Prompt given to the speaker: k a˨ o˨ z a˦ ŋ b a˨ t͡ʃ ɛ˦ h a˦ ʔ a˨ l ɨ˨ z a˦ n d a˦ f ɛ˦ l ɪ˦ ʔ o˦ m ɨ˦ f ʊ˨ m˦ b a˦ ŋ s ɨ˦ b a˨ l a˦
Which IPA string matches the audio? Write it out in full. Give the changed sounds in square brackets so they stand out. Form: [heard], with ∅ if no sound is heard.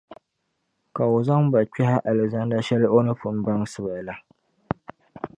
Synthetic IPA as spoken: k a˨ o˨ z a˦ ŋ b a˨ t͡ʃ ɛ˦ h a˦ ʔ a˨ l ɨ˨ z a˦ n d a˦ [ʃ] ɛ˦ l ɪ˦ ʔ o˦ [n] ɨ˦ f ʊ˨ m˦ b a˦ ŋ s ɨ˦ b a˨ l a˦

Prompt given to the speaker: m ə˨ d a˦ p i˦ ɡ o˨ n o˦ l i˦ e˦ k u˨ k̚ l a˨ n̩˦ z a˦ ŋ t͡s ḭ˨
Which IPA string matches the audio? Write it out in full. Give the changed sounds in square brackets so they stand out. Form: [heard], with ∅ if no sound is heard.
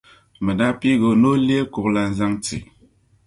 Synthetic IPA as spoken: m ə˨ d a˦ p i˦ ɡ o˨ n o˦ l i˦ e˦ k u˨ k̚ l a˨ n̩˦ z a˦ ŋ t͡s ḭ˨

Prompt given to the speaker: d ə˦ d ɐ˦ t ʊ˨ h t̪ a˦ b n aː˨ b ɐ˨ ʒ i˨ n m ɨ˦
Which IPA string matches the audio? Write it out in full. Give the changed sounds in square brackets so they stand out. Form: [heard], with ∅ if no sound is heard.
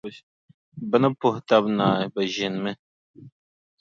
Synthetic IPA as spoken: [b] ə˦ [n] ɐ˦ [p] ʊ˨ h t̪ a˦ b n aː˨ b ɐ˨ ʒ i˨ n m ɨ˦

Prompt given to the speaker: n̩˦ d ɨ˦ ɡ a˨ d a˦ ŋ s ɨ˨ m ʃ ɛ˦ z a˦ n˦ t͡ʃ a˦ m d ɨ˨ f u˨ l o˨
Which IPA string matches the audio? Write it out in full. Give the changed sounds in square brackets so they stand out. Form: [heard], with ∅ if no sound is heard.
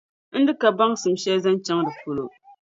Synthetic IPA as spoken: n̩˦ d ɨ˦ [k] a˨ [b] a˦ ŋ s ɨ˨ m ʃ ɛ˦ z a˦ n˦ t͡ʃ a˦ [ŋ] d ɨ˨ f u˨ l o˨

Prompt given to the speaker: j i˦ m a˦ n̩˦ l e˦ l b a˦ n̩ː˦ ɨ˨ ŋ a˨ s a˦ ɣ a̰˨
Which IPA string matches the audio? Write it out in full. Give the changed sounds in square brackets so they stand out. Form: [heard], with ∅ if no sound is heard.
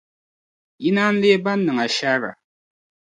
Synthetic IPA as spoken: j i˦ [n] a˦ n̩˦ l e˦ [∅] b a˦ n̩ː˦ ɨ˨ ŋ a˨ [ʃ] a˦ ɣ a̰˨

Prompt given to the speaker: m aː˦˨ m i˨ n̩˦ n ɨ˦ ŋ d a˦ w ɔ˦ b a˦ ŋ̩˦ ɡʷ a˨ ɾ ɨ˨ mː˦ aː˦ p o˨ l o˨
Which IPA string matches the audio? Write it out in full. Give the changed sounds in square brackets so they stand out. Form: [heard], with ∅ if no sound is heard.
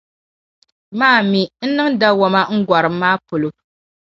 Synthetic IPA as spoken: m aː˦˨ m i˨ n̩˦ n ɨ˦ ŋ d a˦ w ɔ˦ [m] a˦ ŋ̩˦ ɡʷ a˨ ɾ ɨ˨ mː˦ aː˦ p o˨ l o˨

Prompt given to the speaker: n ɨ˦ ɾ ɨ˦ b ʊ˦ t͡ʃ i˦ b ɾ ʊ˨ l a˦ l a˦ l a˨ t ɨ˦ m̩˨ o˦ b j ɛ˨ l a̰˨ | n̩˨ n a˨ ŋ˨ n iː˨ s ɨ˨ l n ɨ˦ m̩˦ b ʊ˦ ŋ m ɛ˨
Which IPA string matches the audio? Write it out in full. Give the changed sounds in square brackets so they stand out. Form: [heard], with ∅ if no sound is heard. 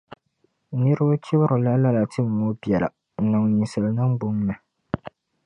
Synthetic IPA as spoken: n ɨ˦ ɾ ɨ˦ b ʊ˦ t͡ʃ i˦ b ɾ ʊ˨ l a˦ l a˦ l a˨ t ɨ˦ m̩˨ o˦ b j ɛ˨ l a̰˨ | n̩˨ n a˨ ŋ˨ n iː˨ s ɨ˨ l n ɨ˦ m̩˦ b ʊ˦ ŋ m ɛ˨

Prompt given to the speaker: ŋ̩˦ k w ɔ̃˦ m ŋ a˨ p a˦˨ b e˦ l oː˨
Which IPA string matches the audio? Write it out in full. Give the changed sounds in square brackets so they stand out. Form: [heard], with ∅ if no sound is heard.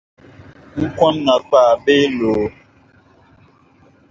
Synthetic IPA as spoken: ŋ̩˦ k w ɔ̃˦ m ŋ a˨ [k͡p] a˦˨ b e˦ l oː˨

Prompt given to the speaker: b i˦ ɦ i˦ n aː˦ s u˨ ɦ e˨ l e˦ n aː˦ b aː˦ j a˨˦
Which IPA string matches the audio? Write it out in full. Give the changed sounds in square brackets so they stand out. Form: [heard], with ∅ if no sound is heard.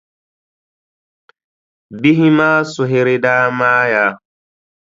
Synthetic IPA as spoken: b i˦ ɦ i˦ [m] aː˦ s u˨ ɦ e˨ [ɾ] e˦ [d] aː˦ [m] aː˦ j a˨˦

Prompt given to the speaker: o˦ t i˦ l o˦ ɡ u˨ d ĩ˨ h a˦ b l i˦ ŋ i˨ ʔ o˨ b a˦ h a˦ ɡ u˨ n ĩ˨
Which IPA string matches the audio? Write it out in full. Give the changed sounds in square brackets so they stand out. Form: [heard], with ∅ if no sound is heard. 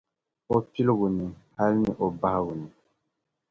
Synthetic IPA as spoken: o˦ [p] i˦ l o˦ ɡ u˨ [n] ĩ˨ h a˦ [∅] l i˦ [n] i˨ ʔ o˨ b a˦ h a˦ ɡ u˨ n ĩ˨

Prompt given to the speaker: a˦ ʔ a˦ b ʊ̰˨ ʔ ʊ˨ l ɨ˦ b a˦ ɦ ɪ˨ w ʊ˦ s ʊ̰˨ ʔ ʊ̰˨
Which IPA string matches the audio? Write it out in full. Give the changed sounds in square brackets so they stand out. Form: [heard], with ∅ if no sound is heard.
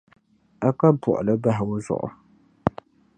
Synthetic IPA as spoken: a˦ [k] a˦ b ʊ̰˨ ʔ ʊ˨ l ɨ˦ b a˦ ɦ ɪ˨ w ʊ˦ [z] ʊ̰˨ ʔ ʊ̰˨

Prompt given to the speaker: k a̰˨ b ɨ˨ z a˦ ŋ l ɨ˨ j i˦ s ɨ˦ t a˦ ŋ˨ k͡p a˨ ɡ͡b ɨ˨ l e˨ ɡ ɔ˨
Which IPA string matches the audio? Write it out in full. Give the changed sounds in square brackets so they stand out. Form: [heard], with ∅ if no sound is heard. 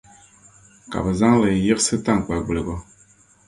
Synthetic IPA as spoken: k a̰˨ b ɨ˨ z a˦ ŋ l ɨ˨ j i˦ s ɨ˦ t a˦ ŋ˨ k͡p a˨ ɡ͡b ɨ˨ l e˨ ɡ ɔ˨

